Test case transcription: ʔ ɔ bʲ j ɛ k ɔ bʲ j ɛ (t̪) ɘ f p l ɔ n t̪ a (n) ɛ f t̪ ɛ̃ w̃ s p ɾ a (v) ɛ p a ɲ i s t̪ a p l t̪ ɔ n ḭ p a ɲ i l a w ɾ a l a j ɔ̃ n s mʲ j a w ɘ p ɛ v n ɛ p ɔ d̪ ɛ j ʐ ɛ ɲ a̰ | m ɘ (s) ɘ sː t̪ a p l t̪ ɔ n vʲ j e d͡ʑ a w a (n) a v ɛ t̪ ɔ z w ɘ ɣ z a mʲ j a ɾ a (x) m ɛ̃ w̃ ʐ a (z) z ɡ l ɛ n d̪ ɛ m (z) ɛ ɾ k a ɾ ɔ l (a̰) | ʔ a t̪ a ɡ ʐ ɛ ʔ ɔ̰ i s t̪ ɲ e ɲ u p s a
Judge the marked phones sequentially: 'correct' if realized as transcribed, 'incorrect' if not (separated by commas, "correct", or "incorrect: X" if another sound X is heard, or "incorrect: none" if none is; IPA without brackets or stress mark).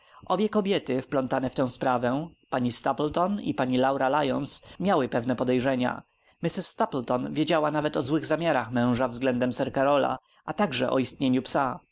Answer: correct, correct, correct, correct, correct, correct, incorrect: v, incorrect: s, correct